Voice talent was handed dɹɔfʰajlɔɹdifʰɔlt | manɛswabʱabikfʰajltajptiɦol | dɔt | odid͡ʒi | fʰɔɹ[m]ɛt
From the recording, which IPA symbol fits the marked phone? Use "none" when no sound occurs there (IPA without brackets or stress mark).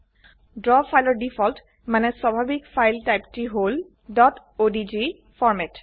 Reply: m